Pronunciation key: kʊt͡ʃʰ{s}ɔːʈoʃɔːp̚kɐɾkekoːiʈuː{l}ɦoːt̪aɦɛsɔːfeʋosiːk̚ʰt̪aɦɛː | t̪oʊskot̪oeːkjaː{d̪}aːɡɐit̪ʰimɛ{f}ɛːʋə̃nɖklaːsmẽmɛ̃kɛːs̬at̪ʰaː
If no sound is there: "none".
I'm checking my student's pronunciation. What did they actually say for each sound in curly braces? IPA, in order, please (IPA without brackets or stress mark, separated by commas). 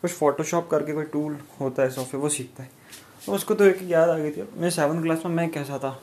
f, l, d̪, s